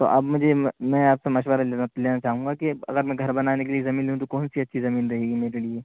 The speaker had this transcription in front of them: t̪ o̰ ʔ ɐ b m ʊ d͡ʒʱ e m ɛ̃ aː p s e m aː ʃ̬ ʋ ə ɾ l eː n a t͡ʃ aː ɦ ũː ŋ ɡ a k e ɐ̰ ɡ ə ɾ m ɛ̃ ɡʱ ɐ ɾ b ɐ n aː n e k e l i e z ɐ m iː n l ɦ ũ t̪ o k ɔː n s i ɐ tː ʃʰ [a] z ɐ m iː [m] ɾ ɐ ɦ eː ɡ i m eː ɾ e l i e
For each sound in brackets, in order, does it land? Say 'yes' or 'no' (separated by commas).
no, no